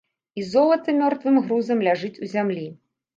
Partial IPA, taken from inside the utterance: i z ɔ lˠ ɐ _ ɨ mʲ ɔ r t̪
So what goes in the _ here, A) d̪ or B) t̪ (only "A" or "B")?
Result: B